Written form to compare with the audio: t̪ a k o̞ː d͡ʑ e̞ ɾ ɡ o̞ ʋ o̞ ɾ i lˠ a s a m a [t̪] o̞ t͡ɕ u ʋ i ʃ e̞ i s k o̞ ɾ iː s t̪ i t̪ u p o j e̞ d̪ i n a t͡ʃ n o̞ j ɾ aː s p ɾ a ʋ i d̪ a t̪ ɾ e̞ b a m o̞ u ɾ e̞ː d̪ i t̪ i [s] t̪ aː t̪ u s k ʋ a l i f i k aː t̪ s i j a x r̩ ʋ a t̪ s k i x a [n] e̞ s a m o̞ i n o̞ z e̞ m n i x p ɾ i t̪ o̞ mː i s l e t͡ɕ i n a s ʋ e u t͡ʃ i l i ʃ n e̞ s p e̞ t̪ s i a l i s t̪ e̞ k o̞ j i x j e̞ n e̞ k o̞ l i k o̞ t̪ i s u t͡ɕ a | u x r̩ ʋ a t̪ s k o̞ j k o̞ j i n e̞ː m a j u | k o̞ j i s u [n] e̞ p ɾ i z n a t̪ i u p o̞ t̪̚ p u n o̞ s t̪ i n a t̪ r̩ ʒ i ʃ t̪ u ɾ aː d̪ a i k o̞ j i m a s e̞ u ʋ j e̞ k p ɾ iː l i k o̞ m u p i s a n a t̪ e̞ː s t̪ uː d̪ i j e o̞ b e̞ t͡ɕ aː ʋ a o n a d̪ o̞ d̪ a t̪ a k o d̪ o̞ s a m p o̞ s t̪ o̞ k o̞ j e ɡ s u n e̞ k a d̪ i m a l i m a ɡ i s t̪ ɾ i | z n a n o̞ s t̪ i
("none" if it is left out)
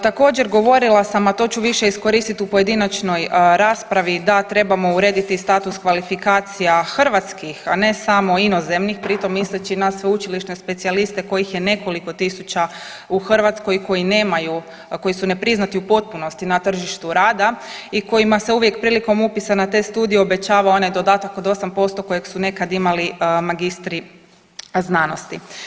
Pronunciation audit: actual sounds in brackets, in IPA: t̪, s, n, n

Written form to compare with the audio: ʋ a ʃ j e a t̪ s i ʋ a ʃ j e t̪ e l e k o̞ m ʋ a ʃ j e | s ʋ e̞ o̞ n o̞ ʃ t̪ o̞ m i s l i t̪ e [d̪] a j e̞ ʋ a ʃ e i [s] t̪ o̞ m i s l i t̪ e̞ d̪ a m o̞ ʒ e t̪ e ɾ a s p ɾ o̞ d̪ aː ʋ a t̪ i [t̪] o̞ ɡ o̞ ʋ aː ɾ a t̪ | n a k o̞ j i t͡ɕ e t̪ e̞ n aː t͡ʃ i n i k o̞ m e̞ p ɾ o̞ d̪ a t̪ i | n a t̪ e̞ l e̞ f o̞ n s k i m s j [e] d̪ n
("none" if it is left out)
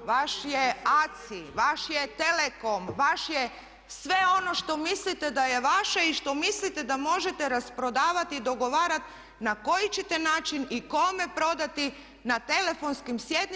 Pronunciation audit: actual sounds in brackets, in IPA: d̪, ʃ, d̪, e

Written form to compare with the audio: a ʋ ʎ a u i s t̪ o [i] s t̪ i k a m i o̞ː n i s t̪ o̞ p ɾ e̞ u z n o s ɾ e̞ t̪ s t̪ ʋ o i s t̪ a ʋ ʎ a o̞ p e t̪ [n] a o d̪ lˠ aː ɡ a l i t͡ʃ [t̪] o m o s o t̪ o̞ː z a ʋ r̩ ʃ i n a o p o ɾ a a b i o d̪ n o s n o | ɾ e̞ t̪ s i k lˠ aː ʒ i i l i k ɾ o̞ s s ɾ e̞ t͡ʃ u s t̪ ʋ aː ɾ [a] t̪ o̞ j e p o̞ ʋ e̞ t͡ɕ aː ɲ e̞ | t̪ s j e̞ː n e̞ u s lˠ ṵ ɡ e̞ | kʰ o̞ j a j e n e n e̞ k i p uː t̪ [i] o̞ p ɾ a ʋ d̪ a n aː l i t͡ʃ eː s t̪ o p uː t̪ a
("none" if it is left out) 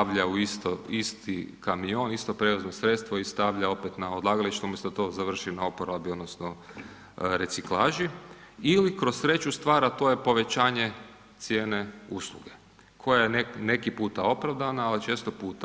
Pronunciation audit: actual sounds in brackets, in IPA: i, n, t̪, a, a

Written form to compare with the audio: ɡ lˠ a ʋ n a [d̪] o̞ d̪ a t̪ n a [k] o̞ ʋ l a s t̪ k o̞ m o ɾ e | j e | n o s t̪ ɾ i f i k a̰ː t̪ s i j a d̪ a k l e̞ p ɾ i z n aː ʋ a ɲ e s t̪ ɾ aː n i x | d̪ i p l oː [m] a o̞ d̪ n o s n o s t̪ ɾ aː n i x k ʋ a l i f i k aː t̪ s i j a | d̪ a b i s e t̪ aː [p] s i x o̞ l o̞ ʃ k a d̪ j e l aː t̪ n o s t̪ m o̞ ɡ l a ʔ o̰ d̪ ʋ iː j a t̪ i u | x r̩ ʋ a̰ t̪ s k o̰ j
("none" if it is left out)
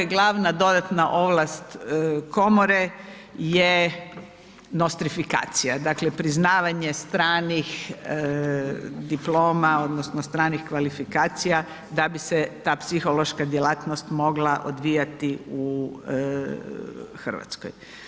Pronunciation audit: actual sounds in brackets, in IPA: d̪, ʔ, m, p

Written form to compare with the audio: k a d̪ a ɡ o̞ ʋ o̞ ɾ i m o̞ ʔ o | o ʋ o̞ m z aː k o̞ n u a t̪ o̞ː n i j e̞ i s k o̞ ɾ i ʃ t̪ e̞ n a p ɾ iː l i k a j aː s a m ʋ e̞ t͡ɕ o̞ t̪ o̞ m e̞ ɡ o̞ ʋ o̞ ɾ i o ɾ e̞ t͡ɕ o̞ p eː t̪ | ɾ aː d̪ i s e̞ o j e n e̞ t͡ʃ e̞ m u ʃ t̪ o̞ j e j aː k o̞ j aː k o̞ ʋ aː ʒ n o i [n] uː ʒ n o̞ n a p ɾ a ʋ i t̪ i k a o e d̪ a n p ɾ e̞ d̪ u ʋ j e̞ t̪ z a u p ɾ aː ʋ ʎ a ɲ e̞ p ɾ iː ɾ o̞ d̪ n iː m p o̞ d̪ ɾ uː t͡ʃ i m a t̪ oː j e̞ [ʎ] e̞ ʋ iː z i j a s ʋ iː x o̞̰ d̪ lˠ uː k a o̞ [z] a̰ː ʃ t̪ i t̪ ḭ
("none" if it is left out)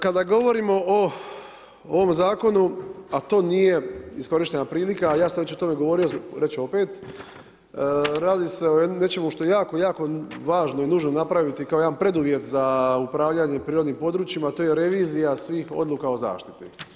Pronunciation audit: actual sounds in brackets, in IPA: n, ɾ, z

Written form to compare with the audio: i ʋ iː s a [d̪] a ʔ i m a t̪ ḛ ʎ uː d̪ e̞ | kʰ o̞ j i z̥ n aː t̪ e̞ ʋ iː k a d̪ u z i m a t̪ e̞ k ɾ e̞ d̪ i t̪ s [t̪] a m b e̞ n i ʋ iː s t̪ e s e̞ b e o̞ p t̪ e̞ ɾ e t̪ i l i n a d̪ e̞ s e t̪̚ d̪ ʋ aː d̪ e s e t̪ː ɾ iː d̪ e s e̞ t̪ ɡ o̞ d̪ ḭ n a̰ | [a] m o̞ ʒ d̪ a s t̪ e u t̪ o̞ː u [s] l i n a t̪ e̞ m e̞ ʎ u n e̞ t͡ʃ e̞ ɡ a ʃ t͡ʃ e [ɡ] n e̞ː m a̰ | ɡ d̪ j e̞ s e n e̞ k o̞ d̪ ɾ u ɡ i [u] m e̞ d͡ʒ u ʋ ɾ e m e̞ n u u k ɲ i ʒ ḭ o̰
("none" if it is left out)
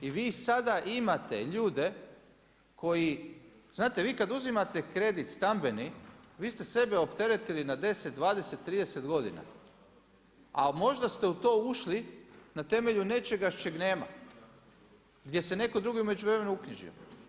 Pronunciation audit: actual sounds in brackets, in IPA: d̪, t̪, a, ʃ, ɡ, u

